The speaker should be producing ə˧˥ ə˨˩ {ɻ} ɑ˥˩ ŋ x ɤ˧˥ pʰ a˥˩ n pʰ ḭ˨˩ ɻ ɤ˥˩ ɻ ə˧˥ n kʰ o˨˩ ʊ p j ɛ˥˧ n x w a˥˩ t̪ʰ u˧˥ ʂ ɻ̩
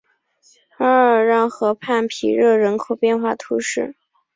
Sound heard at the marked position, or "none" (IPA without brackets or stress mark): ɻ